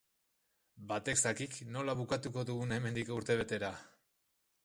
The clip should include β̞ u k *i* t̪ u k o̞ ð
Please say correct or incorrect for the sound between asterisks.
incorrect